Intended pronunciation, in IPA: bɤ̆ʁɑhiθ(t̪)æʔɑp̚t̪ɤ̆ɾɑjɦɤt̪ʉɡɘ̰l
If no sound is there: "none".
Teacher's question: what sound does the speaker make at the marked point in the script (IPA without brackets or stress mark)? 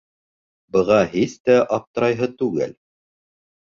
t̪